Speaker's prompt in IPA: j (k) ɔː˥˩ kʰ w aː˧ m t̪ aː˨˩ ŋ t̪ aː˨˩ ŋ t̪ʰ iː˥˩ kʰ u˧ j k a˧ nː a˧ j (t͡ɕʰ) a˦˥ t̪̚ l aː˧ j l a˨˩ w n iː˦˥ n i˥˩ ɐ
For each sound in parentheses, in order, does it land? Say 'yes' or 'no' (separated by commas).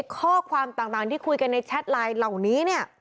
no, yes